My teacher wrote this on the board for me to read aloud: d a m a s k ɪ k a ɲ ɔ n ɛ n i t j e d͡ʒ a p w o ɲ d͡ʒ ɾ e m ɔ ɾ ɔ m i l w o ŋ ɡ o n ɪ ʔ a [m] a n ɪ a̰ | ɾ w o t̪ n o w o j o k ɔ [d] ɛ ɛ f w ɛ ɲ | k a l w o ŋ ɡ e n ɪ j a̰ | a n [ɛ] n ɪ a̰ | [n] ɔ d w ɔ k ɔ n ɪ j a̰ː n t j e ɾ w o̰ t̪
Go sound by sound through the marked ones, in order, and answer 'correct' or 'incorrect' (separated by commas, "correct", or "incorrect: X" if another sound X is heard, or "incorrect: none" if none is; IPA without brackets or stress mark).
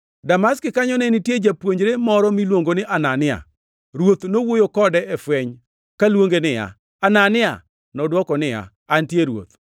incorrect: n, correct, incorrect: a, correct